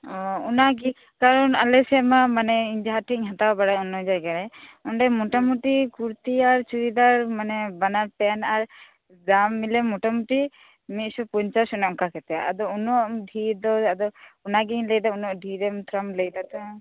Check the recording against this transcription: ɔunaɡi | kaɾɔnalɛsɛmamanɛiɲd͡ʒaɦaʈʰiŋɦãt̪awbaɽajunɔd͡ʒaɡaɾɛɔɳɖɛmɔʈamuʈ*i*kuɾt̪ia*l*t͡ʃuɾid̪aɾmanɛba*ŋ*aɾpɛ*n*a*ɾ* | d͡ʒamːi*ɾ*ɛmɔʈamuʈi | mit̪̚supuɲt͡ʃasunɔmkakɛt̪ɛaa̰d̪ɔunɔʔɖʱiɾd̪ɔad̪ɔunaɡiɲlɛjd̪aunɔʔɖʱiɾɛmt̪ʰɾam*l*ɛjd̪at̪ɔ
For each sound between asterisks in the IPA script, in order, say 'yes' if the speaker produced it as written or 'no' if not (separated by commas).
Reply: yes, no, no, yes, yes, no, yes